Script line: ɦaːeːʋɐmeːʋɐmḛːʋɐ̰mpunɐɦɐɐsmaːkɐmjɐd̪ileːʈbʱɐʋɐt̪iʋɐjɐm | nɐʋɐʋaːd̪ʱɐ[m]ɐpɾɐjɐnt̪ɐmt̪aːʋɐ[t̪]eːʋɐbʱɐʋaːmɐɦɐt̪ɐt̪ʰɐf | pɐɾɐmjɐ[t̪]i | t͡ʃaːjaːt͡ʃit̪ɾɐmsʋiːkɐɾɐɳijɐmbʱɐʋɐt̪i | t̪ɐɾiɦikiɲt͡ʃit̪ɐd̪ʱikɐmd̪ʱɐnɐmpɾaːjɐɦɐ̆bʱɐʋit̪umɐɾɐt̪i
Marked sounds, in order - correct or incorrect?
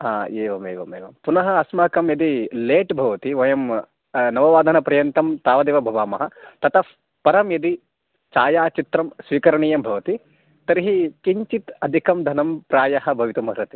incorrect, incorrect, incorrect

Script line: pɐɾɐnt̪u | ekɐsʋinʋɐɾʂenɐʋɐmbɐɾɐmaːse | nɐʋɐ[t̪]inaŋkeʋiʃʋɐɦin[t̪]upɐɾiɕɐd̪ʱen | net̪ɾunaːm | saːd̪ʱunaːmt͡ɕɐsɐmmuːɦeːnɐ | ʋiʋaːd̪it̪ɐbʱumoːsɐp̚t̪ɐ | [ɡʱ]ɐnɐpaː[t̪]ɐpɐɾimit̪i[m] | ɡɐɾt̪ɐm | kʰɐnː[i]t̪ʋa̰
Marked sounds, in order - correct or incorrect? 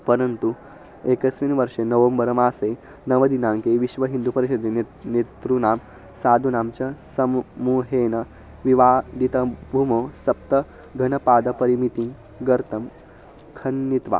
incorrect, incorrect, correct, incorrect, incorrect, correct

